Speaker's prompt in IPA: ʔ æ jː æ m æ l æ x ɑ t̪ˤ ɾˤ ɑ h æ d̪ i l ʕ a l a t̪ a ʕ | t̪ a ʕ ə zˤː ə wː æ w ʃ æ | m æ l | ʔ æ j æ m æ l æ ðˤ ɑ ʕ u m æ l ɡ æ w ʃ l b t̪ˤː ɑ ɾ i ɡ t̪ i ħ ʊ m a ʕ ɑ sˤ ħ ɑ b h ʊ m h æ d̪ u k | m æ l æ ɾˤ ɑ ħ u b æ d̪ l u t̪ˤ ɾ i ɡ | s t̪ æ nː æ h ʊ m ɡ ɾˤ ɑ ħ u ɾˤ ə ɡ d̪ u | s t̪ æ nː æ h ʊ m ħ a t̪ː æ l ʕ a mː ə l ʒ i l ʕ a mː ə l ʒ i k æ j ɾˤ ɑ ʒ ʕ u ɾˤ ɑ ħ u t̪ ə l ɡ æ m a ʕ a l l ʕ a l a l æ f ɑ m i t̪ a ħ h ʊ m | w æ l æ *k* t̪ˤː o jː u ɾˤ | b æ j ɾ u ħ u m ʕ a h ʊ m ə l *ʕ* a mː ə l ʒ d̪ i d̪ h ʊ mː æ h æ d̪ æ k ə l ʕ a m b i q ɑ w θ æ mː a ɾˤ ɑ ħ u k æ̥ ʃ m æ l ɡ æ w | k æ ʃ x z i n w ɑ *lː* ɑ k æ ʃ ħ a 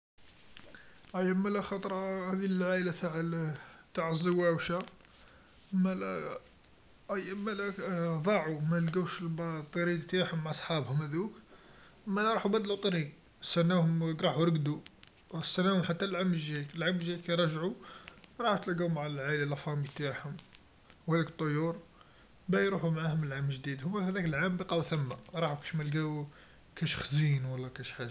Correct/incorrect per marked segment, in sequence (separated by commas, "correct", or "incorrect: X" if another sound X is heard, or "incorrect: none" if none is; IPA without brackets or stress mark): correct, correct, correct